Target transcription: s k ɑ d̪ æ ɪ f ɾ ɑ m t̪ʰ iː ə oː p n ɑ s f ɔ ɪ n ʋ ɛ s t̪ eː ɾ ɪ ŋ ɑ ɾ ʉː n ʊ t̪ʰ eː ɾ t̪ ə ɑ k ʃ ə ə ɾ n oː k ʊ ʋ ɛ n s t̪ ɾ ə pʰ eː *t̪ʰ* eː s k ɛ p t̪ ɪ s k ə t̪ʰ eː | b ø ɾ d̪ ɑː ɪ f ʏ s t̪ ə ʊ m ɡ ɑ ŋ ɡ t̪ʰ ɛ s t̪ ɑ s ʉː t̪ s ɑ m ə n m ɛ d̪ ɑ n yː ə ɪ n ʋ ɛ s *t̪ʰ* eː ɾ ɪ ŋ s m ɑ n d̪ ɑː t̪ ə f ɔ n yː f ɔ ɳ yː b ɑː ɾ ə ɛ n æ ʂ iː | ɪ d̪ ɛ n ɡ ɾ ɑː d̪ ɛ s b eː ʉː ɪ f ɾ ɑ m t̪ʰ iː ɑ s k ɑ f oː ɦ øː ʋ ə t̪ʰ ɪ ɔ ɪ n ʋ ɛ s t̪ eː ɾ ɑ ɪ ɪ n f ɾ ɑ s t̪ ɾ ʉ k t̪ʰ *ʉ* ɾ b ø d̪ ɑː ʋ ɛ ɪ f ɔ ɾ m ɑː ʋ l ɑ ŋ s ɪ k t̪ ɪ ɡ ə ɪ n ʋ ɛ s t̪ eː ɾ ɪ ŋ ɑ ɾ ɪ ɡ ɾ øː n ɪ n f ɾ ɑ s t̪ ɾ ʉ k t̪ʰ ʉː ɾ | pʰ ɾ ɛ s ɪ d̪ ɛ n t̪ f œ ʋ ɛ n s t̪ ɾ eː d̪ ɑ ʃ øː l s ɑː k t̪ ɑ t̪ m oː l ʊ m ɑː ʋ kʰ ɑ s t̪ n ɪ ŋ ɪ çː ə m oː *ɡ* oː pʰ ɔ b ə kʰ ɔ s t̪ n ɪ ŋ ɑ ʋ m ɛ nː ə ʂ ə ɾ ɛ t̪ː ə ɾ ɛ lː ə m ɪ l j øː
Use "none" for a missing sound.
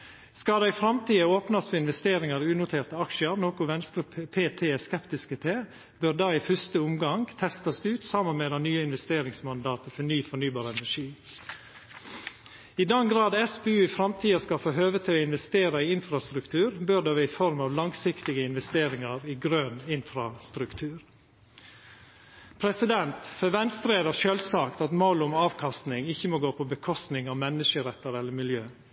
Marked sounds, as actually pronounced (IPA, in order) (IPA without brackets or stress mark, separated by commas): t̪ʰ, t̪, ʉː, ɡ